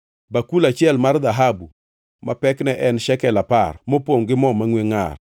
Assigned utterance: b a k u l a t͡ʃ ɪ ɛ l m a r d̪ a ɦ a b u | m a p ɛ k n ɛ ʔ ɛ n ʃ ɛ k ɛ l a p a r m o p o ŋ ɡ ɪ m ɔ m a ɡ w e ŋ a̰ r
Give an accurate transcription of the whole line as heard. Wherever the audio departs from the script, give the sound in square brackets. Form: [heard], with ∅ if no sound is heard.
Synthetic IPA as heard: b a k u l a t͡ʃ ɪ ɛ l m a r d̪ a ɦ a b u | m a p ɛ k n ɛ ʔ ɛ n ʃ ɛ k ɛ l a p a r m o p o ŋ ɡ ɪ m ɔ m a [ŋ] w e ŋ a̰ r